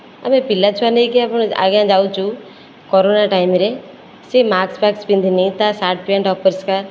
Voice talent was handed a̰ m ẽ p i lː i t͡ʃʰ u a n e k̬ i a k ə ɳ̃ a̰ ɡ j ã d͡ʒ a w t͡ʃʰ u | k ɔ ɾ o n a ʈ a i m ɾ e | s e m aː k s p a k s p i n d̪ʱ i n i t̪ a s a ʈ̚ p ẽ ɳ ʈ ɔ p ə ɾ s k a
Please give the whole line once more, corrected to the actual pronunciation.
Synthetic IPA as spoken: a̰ m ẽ p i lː a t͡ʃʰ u a n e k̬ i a p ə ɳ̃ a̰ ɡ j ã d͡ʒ a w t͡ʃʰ u | k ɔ ɾ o n a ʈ a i m ɾ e | s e m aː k s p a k s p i n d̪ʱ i n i t̪ a s a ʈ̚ p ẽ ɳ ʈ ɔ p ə ɾ s k a